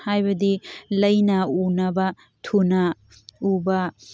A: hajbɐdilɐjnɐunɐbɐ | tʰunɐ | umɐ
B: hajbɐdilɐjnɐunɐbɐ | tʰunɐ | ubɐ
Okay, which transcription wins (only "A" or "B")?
B